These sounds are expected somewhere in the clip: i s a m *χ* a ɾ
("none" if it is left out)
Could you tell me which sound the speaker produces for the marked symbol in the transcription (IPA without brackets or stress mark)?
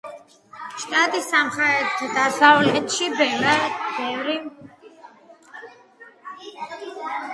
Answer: χ